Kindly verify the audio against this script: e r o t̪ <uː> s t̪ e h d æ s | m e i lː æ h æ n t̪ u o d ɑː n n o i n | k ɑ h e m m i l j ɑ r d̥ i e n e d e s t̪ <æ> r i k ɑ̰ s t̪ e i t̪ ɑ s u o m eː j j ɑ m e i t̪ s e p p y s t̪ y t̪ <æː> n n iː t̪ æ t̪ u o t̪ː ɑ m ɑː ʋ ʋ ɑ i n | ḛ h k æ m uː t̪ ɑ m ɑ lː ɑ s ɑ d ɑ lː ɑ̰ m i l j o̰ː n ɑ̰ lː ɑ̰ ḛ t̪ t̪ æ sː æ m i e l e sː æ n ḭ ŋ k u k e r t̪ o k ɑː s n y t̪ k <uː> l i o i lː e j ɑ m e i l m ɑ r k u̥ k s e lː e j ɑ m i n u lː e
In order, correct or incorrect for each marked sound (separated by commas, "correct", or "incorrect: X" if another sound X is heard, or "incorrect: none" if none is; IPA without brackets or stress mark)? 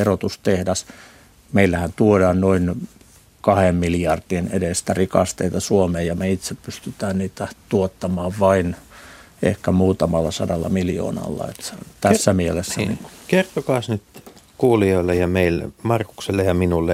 incorrect: u, correct, correct, correct